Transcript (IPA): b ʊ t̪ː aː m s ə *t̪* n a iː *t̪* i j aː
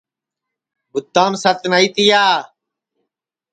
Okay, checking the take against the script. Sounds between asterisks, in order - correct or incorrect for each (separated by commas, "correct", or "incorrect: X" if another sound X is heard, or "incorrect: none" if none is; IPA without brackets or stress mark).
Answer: correct, correct